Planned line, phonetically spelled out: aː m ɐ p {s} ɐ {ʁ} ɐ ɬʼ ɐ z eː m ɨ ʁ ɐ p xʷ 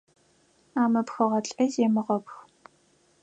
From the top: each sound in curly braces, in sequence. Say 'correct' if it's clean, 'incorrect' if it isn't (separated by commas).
incorrect, correct